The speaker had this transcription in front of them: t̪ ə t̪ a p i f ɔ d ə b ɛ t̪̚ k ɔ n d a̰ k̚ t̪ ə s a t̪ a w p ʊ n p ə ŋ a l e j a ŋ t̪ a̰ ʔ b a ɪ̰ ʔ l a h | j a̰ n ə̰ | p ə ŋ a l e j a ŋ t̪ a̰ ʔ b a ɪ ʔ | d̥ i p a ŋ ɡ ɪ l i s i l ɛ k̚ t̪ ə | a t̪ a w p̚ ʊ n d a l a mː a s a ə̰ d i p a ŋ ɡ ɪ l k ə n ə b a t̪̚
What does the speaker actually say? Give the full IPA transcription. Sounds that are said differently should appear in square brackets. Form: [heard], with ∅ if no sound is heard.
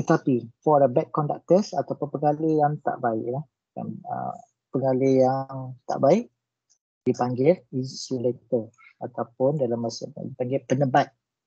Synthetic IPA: t̪ ə t̪ a p i f ɔ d ə b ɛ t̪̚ k ɔ n d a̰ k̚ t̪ ə s a t̪ a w p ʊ n p ə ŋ a l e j a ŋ t̪ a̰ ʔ b a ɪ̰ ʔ l a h | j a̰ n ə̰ | p ə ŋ a l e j a ŋ t̪ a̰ ʔ b a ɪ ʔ | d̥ i p a ŋ ɡ ɪ l i s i l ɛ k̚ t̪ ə | a t̪ a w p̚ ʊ n d a l a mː a s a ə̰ d i p a ŋ ɡ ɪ l [p] ə n ə b a t̪̚

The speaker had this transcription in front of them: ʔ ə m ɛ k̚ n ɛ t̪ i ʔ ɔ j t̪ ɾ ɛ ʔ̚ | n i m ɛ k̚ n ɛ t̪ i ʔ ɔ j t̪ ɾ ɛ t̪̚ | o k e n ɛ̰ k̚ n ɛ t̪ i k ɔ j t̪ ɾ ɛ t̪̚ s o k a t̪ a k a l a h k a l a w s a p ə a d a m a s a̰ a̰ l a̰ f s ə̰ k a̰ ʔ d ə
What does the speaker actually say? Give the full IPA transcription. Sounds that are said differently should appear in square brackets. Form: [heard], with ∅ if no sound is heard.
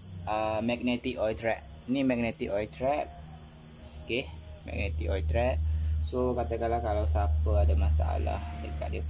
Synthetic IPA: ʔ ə m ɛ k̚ n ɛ t̪ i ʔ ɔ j t̪ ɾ ɛ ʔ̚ | n i m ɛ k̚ n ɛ t̪ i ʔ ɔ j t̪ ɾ ɛ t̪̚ | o k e [m] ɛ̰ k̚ n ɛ t̪ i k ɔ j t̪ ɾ ɛ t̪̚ s o k a t̪ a k a l a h k a l a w s a p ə a d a m a s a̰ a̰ l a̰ [h] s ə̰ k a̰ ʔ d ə

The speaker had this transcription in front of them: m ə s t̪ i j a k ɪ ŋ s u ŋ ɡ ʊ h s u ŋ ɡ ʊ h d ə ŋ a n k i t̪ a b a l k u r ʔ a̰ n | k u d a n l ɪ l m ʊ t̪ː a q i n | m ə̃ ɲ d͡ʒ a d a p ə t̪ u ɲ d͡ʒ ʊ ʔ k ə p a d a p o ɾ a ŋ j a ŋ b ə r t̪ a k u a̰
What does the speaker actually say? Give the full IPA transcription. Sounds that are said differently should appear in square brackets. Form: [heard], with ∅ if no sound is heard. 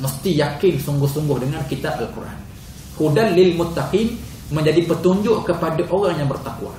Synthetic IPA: m ə s t̪ i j a k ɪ [n] s u ŋ ɡ ʊ h s u ŋ ɡ ʊ h d ə ŋ a n k i t̪ a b a l k u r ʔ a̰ n | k u d a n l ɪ l m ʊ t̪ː a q i n | m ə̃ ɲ d͡ʒ a d [i] p ə t̪ u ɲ d͡ʒ ʊ ʔ k ə p a d a [ʔ] o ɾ a ŋ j a ŋ b ə r t̪ a k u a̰

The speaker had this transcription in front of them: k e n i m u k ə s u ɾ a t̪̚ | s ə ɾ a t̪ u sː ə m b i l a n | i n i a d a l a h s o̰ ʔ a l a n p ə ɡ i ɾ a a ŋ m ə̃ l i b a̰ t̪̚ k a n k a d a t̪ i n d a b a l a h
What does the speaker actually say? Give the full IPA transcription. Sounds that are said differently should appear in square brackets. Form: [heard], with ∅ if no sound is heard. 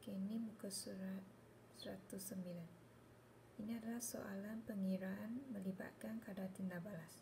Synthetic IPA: k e n i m u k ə s u ɾ a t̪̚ | s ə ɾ a t̪ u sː ə m b i l a n | i n i a d a l a h s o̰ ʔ a l a n p ə [ŋ] i ɾ a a [n] m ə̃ l i b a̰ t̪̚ k a n k a d a t̪ i n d a b a l a [s]

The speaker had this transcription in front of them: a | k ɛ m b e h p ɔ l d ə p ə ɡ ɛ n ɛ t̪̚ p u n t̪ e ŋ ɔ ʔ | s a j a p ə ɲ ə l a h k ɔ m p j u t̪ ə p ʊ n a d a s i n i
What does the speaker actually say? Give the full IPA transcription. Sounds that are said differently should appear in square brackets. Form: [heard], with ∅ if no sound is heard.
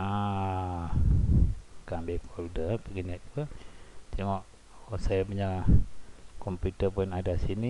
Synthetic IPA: a | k [a] m b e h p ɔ l d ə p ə ɡ [i] n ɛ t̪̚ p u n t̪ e ŋ ɔ ʔ | s a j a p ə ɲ [a] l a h k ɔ m p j u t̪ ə p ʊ n a d a s i n i

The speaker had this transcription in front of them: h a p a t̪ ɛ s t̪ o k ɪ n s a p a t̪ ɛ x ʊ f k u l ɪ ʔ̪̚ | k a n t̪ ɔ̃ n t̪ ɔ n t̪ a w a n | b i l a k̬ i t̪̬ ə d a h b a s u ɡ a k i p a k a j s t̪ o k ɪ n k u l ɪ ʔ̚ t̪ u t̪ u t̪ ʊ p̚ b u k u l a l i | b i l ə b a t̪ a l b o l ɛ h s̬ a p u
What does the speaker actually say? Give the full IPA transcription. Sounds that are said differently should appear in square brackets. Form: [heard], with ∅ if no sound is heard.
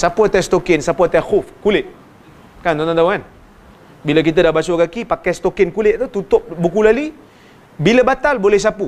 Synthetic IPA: [s] a p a t̪ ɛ s t̪ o k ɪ n s a p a t̪ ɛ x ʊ f k u l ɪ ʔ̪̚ | k a n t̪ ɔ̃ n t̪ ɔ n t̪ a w a n | b i l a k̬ i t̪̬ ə d a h b a s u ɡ a k i p a k a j s t̪ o k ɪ n k u l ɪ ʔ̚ t̪ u t̪ u t̪ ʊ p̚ b u k u l a l i | b i l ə b a t̪ a l b o l ɛ h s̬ a p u

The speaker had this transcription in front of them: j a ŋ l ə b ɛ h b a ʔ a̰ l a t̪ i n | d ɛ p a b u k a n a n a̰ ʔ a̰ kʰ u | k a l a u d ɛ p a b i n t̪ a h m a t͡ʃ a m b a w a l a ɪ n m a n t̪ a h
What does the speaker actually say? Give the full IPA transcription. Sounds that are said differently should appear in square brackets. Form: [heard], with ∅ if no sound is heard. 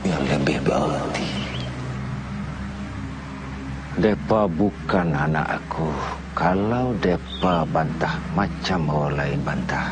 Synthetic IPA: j a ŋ l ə b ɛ h b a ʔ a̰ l a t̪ i [∅] | d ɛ p a b u k a n a n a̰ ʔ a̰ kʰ u | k a l a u d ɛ p a b [a] n t̪ a h m a t͡ʃ a m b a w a l a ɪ n [b] a n t̪ a h

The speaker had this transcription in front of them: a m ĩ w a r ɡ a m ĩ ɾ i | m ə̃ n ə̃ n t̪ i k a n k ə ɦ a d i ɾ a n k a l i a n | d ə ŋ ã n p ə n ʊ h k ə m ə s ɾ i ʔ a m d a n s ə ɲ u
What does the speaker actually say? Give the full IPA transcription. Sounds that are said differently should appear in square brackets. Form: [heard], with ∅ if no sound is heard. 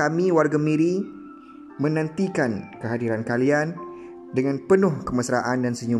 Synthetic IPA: a m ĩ w a r ɡ a m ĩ ɾ i | m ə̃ n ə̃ n t̪ i k a n k ə ɦ a d i ɾ a n k a l i a n | d ə ŋ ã n p ə n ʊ h k ə m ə s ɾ [a] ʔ a [n] d a n s ə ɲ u

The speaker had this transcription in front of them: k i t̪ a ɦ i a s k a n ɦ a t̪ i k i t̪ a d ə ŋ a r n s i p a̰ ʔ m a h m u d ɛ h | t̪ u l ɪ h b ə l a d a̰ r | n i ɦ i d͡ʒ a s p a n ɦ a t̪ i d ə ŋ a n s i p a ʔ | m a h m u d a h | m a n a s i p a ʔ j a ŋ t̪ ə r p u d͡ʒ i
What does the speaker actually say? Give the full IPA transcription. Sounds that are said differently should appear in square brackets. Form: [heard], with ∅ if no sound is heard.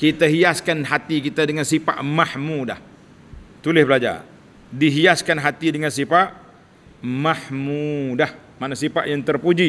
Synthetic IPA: k i t̪ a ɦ i a s k a n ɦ a t̪ i k i t̪ a d ə ŋ a [∅] n s i p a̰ ʔ m a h m u d [a] h | t̪ u l ɪ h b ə l a [d͡ʒ] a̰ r | [d] i ɦ i [∅] a s [k] a n ɦ a t̪ i d ə ŋ a n s i p a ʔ | m a h m u d a h | m a n a s i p a ʔ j a ŋ t̪ ə r p u d͡ʒ i

